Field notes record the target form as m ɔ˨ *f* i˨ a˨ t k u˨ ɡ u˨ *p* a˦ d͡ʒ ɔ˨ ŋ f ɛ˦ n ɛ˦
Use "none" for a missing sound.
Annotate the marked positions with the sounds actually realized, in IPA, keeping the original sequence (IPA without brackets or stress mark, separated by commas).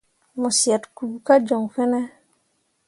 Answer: s, k